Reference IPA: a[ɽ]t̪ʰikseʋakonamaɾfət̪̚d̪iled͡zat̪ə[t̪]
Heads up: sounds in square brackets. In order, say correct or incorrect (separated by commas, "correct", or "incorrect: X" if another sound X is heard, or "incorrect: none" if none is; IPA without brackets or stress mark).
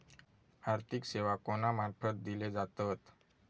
incorrect: ɾ, correct